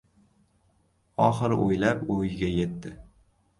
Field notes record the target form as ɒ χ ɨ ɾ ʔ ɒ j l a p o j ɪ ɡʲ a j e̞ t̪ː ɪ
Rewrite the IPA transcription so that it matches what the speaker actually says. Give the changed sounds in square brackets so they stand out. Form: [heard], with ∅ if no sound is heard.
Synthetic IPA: ɒ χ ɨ ɾ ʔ [o] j l a p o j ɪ ɡʲ a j e̞ t̪ː ɪ

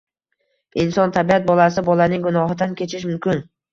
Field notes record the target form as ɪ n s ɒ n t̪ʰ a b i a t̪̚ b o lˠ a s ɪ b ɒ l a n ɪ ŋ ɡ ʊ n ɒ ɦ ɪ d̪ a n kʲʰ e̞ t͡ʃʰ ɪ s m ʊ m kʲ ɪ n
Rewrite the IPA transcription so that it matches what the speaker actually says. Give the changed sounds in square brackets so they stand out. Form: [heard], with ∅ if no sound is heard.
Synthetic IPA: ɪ n s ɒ n t̪ʰ a b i a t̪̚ b [ɒ] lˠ a s ɪ b ɒ l a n ɪ ŋ ɡ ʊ n ɒ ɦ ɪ d̪ a n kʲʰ e̞ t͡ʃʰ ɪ [ʃ] m ʊ m kʲ ɪ n

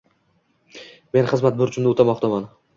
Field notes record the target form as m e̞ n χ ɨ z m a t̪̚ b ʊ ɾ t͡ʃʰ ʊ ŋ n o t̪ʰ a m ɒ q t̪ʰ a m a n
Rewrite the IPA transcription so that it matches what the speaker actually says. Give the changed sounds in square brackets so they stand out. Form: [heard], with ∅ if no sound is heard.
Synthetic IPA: m e̞ n χ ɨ z m a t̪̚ b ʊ ɾ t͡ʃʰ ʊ [m] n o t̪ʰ a m ɒ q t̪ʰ a m a n

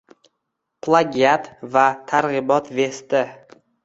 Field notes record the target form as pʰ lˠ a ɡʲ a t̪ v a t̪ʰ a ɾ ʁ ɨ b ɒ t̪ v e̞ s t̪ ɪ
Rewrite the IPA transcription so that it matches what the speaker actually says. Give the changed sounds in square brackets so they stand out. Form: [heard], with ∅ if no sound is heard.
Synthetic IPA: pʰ lˠ a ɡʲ a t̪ v a t̪ʰ a ɾ ʁ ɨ b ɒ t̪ v e̞ s t̪ ɪ

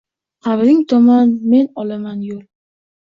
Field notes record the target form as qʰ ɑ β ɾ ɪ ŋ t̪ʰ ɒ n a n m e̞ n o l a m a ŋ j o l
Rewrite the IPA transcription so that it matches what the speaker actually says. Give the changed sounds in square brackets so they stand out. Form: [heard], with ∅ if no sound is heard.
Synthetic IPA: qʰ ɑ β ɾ ɪ ŋ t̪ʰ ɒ [m] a n m e̞ n [ɒ] l a m a [n] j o l

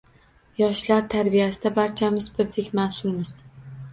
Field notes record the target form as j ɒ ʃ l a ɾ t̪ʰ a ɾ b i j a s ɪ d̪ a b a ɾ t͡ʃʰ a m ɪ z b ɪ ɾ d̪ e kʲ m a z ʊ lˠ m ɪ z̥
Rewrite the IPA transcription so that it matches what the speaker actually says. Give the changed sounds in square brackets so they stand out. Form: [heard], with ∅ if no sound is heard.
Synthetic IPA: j ɒ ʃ l a ɾ t̪ʰ a ɾ b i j a s ɪ d̪ a b a ɾ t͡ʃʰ a m ɪ z b ɪ ɾ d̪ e kʲ m a [s] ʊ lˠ m ɪ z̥

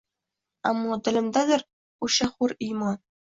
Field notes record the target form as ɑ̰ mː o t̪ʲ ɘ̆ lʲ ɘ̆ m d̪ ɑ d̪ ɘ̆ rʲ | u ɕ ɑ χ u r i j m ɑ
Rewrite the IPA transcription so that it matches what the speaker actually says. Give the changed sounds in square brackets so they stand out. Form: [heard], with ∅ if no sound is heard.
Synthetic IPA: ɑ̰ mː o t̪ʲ ɘ̆ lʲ ɘ̆ m d̪ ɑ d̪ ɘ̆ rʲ | u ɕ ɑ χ u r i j m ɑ

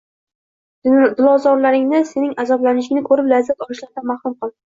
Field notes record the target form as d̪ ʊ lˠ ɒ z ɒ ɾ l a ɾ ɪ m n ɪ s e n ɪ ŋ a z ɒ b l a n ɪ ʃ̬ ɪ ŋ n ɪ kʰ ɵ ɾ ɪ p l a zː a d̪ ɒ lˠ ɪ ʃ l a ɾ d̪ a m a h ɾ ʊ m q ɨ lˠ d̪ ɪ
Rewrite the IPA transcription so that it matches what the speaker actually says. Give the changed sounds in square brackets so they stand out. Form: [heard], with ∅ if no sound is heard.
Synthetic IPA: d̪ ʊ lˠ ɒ z ɒ ɾ l a ɾ ɪ [ŋ] n ɪ s e n ɪ ŋ a z ɒ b l a n ɪ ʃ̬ ɪ ŋ n ɪ kʰ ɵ ɾ ɪ p l a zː a [t̪] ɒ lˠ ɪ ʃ l a ɾ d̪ a m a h ɾ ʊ m q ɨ lˠ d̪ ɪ

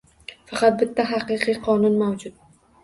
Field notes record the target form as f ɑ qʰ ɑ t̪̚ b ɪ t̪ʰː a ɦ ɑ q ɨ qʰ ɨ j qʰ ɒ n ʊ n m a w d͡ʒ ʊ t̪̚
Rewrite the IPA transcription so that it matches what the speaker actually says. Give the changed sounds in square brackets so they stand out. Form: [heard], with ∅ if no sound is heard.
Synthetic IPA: f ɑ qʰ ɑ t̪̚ b ɪ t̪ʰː a ɦ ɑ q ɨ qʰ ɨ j qʰ ɒ n ʊ n m a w d͡ʒ ʊ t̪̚

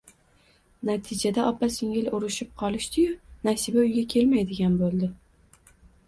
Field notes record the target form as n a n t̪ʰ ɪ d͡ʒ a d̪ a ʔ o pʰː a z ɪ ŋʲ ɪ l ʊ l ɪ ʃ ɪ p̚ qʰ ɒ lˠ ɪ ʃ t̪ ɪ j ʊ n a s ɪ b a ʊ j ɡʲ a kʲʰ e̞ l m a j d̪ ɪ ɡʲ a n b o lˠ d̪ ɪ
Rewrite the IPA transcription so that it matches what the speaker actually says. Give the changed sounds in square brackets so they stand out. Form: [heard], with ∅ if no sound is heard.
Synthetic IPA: n a [∅] t̪ʰ ɪ d͡ʒ a d̪ a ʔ [ɒ] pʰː a [s] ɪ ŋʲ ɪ l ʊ [ɾ] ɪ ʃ ɪ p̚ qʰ ɒ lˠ ɪ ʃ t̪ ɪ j ʊ n a s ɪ b a ʊ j ɡʲ a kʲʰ e̞ l m a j d̪ ɪ ɡʲ a n b o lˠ d̪ ɪ

